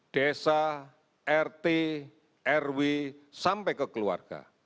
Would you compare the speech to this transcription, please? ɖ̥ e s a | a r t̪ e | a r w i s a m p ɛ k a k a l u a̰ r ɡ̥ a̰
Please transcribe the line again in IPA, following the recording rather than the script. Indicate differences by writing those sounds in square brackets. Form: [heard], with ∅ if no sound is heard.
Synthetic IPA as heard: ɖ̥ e s a | [ɛ] r t̪ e | [ɛ] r w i s a m p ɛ k [ə] k [ə] l u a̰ r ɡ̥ a̰